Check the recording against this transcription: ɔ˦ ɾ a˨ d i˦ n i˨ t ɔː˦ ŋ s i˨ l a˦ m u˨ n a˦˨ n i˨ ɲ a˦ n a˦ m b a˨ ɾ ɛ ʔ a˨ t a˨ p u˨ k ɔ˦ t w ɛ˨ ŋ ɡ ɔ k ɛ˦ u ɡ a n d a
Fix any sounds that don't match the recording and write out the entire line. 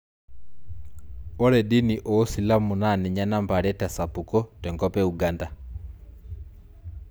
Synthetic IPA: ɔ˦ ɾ ɛ˨ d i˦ n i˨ ʔ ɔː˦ s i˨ l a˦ m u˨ n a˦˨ n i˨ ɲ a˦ n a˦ m b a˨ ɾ ɛ t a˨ s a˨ p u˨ k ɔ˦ t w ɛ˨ ŋ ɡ ɔ p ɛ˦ u ɡ a n d a